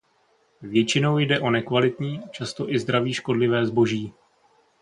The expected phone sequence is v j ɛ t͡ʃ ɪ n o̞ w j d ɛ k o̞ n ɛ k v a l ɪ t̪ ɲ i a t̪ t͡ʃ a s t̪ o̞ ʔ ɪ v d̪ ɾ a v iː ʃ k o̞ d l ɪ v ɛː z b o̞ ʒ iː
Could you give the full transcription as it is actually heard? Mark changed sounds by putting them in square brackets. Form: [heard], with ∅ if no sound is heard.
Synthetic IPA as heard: v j ɛ t͡ʃ ɪ n o̞ w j d ɛ [ʔ] o̞ n ɛ k v a l ɪ t̪ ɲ [iː] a [∅] t͡ʃ a s t̪ o̞ ʔ ɪ [z] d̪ ɾ a v iː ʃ k o̞ d l ɪ v ɛː z b o̞ ʒ iː